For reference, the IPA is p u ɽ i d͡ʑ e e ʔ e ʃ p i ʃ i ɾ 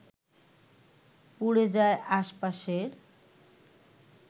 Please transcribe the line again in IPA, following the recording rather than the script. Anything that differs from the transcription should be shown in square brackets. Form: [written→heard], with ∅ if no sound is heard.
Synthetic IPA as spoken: p u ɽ [i→e] d͡ʑ [e→a] e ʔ [e→a] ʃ p [i→a] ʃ [i→e] ɾ